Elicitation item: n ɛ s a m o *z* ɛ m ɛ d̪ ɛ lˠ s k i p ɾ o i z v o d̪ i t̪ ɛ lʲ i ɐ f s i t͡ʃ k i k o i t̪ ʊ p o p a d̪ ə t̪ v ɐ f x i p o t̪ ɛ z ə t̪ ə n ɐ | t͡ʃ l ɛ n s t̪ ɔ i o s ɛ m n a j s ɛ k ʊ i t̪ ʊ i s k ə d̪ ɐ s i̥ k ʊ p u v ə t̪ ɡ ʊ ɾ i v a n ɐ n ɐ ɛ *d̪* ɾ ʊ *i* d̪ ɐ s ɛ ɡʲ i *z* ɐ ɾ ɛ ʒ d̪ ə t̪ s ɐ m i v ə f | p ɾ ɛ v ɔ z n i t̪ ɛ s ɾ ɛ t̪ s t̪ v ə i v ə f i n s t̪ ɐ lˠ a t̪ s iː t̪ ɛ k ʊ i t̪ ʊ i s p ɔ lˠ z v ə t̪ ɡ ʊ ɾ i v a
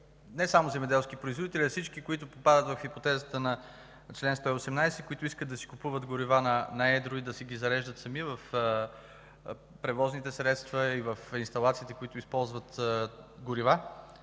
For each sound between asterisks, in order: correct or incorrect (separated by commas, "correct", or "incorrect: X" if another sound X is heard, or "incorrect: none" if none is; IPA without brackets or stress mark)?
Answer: correct, correct, correct, correct